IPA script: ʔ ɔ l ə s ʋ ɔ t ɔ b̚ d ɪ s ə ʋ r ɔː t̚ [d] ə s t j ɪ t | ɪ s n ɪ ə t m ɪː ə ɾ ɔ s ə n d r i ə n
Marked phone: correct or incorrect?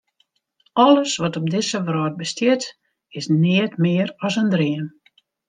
incorrect